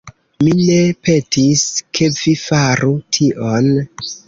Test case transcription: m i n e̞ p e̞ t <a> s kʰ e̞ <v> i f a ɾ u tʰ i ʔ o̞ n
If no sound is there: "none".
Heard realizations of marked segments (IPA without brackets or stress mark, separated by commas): i, v